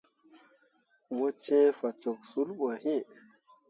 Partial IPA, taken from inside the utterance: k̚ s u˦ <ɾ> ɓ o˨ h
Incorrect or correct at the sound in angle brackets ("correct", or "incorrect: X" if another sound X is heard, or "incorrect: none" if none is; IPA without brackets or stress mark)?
incorrect: l